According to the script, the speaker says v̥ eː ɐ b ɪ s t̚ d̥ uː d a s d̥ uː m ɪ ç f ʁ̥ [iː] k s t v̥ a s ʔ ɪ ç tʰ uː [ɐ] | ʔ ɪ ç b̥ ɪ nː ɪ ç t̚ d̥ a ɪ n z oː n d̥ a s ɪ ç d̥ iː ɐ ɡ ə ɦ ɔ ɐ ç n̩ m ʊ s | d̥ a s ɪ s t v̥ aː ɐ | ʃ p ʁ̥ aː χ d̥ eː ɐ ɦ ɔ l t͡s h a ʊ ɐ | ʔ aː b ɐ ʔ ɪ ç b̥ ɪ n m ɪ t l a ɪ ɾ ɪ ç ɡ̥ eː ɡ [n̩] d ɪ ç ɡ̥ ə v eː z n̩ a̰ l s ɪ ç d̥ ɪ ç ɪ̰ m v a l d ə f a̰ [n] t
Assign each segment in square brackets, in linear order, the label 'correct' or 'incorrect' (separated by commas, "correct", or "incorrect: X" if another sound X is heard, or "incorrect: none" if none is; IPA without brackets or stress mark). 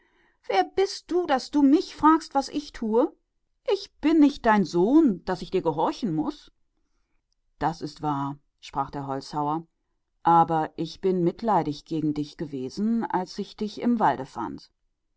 incorrect: aː, incorrect: ə, incorrect: ŋ̩, correct